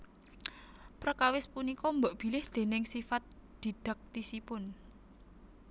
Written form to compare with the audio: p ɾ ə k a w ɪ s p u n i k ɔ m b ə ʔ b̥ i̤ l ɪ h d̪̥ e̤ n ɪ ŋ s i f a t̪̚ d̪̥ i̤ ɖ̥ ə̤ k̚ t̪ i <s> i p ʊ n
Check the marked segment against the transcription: correct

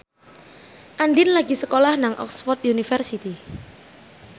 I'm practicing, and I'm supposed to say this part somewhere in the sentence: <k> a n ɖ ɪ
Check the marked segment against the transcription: incorrect: ʔ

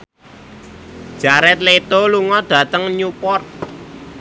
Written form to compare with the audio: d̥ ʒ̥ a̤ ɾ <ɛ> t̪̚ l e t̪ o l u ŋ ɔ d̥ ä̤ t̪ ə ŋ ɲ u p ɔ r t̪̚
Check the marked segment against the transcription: correct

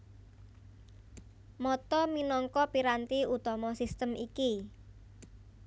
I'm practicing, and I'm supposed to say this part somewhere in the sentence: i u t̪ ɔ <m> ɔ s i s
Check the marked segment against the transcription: correct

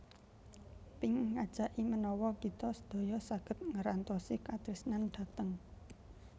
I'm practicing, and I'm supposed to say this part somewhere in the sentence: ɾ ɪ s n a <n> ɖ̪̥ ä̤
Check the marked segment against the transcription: correct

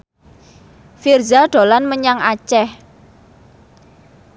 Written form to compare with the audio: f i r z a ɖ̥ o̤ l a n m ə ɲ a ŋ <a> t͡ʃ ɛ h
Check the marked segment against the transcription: correct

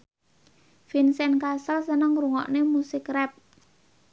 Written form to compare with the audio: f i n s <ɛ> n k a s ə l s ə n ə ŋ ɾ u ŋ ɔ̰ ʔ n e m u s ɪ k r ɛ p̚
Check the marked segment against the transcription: correct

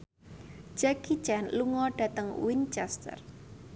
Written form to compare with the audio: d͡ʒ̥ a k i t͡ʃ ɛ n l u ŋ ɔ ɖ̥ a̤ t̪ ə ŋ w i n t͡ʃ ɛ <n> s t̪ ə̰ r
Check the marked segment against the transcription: incorrect: none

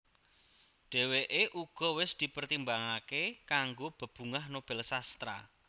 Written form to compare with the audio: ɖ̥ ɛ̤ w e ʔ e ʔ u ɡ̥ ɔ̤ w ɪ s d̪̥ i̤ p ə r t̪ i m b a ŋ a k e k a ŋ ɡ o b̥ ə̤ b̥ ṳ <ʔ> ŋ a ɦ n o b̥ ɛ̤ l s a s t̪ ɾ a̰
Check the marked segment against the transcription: incorrect: none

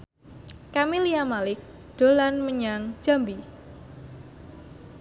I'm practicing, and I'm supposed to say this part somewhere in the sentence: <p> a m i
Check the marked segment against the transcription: incorrect: k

